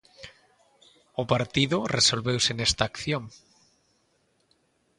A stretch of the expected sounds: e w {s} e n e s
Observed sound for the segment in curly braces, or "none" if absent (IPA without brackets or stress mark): s